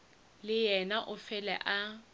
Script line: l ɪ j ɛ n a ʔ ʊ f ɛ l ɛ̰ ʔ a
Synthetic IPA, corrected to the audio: l ɪ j ɛ n a ʔ ʊ f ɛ l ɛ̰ ʔ a